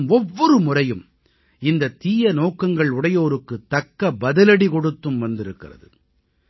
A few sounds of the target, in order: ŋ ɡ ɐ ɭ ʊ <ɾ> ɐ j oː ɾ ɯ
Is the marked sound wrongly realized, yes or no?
yes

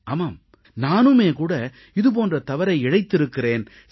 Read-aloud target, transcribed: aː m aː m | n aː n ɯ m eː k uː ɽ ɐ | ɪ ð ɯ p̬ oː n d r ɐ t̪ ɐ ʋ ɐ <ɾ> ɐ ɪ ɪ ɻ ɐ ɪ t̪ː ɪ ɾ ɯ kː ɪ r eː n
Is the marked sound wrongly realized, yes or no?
no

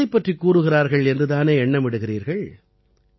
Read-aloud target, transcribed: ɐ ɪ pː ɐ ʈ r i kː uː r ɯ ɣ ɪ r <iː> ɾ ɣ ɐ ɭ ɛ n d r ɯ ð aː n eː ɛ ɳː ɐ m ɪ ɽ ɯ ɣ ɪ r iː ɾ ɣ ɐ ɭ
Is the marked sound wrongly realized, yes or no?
yes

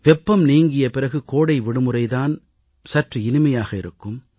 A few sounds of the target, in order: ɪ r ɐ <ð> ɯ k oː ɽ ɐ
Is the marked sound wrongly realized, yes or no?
yes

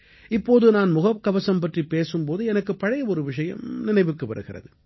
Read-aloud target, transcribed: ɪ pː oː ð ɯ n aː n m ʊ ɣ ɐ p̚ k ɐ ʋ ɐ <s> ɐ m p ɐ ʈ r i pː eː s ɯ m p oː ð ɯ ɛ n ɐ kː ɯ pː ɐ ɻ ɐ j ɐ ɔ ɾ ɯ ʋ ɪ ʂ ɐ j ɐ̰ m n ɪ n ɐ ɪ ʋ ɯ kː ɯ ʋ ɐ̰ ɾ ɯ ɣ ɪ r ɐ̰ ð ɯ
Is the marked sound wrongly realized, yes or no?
no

